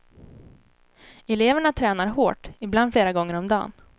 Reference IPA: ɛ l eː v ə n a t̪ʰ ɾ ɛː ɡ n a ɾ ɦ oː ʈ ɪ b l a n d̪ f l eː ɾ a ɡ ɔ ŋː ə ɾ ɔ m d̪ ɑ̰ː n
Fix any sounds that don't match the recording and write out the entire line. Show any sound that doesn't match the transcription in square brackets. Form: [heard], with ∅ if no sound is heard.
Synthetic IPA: ɛ l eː v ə [ɳ] a t̪ʰ ɾ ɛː [∅] n a ɾ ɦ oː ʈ ɪ b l a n d̪ f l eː ɾ a ɡ ɔ ŋː ə ɾ ɔ m d̪ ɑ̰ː n